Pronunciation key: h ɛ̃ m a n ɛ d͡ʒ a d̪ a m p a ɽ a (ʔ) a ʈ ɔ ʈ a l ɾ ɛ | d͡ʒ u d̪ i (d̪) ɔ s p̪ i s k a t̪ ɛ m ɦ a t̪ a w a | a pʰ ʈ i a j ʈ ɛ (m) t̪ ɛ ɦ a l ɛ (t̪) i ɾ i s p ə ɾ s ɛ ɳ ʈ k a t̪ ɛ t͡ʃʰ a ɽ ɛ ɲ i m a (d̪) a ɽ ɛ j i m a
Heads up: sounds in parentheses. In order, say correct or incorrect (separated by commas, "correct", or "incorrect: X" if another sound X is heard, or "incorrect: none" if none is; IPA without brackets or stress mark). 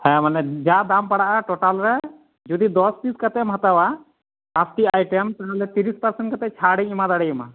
correct, correct, correct, correct, correct